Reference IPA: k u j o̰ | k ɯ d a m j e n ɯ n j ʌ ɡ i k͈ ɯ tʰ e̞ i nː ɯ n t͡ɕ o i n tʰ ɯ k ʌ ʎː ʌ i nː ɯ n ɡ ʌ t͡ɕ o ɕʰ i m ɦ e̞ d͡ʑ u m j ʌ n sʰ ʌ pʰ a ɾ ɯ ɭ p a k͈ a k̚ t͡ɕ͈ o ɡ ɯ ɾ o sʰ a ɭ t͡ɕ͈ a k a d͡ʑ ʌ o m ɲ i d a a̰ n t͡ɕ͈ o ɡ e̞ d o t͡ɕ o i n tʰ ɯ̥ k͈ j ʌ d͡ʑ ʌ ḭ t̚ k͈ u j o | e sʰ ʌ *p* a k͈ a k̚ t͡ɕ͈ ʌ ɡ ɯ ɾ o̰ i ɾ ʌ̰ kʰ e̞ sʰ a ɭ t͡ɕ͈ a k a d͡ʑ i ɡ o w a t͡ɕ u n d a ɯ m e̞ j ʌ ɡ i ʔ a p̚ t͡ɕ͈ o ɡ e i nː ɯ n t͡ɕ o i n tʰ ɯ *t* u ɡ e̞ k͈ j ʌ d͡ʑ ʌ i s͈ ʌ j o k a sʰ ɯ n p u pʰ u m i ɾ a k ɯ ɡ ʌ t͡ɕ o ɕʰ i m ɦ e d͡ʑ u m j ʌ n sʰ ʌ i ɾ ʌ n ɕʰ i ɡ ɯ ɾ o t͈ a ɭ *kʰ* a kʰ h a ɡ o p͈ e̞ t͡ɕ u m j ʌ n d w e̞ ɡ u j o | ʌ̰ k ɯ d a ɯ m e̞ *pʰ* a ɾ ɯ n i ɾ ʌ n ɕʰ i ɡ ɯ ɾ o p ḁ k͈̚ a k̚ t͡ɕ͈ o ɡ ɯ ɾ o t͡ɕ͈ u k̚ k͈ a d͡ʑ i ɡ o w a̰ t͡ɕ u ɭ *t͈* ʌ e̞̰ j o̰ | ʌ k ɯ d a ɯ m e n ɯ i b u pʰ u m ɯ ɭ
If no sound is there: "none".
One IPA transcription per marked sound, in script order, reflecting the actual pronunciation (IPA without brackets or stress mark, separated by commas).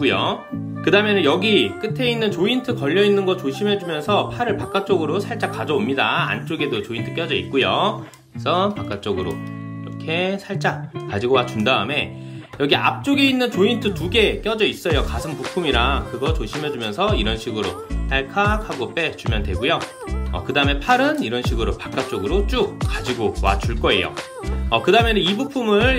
p, t, kʰ, pʰ, k͈